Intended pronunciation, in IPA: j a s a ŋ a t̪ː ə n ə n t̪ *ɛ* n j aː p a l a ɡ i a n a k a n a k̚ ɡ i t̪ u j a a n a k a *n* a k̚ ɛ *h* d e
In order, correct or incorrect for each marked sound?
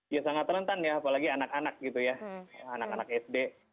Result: incorrect: a, correct, incorrect: s

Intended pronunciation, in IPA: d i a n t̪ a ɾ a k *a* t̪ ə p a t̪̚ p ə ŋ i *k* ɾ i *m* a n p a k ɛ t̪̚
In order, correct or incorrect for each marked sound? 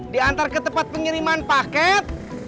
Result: incorrect: ə, incorrect: none, correct

